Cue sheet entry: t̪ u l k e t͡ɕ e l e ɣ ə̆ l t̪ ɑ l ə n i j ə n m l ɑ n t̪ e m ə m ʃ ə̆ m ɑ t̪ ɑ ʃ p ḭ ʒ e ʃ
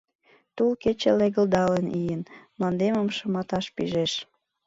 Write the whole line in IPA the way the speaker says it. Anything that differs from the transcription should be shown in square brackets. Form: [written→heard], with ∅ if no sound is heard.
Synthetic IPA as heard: t̪ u l k e t͡ɕ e l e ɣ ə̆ l [t̪→d̪] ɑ l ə n i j ə n m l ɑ n [t̪→d̪] e m ə m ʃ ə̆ m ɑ t̪ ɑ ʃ p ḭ ʒ e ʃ